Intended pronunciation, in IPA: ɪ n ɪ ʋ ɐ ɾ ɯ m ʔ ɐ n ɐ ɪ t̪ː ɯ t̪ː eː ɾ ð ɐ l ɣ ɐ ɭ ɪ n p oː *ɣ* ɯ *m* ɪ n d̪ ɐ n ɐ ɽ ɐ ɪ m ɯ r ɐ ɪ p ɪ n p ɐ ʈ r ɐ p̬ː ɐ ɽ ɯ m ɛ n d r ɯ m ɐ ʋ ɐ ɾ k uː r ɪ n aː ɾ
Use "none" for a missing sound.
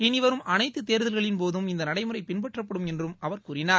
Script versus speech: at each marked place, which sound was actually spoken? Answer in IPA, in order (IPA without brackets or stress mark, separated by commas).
ð, m